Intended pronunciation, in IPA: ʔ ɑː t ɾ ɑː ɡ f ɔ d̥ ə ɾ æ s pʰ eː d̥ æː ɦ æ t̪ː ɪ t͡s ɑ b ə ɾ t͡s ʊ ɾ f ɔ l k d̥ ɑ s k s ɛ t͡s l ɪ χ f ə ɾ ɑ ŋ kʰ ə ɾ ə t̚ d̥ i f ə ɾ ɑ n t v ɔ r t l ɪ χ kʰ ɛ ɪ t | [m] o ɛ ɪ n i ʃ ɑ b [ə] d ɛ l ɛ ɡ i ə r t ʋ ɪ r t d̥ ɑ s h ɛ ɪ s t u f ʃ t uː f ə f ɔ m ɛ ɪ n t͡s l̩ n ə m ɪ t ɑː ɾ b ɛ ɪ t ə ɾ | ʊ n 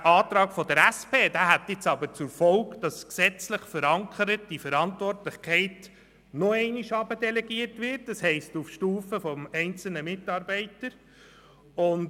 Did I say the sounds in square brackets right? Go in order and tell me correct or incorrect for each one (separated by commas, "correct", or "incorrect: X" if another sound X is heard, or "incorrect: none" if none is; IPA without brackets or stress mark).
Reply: incorrect: n, correct